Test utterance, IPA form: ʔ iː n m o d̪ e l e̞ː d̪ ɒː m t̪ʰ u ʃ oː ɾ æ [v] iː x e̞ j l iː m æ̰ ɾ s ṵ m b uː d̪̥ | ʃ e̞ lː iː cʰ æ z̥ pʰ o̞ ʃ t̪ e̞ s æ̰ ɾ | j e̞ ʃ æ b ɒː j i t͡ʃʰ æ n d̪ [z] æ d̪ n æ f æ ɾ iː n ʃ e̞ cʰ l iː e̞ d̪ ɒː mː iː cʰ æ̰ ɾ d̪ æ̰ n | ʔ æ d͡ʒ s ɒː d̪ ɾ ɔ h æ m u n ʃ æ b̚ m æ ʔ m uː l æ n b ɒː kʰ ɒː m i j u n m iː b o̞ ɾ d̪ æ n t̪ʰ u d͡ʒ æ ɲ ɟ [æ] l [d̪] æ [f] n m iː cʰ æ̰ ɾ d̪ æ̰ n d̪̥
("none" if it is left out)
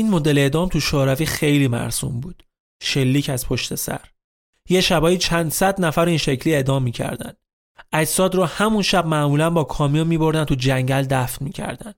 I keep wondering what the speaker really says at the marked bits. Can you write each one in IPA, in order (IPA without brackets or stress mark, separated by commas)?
v, s, æ, d̪, f